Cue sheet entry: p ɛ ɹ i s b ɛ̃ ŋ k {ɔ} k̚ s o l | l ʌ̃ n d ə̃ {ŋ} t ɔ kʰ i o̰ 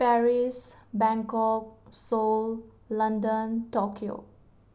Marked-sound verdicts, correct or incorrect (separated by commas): correct, incorrect